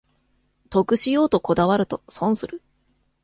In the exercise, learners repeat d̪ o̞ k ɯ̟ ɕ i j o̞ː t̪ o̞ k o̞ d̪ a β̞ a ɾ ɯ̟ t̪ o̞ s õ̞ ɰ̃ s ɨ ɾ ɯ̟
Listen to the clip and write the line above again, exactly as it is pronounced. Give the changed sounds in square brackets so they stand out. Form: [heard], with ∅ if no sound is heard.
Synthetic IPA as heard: [t̪] o̞ k ɯ̟ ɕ i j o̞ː t̪ o̞ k o̞ d̪ a β̞ a ɾ ɯ̟ t̪ o̞ s õ̞ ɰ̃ s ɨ ɾ ɯ̟